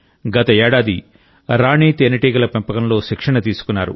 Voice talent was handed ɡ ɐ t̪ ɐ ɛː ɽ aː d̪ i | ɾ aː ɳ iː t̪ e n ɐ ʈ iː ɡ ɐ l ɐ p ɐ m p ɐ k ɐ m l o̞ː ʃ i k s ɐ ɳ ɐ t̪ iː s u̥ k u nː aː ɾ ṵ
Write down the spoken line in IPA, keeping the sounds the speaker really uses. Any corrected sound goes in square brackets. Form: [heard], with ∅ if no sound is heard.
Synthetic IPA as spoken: ɡ ɐ t̪ ɐ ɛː ɽ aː d̪ i | ɾ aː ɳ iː t̪ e n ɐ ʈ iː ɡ ɐ l ɐ p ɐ m p ɐ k ɐ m l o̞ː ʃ i k [ʂ] ɐ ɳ ɐ t̪ iː s u̥ k u nː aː ɾ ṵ